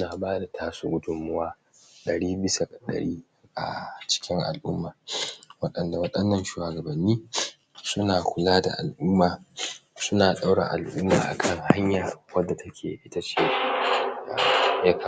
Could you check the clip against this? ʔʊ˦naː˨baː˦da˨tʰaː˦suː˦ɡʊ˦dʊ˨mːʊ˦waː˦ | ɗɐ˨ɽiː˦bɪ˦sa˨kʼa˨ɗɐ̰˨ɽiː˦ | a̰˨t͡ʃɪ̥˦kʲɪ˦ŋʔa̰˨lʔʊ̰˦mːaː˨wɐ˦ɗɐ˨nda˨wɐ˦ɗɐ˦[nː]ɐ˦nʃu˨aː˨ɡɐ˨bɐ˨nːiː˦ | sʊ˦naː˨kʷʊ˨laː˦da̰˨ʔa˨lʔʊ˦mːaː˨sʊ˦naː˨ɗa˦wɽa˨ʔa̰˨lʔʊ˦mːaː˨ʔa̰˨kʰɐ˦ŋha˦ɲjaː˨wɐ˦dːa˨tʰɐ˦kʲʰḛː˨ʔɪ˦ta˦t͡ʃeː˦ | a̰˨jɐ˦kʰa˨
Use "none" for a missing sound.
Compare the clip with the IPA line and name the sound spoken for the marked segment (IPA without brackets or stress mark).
nː